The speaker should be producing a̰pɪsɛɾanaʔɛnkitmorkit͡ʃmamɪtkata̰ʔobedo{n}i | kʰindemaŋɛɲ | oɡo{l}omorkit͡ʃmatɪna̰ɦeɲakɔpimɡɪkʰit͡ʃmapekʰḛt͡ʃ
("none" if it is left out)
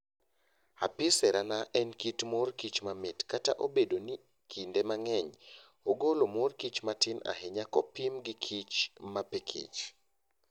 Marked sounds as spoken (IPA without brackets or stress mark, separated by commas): n, l